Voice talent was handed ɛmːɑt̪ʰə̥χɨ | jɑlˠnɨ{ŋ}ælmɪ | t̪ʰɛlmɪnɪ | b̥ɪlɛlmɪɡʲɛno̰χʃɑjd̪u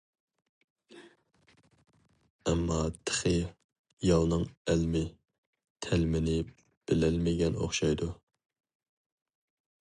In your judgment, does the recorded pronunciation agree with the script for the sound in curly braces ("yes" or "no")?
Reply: yes